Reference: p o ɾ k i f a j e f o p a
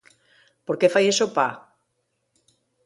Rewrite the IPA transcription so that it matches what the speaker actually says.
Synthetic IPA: p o ɾ k e f a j e s o p a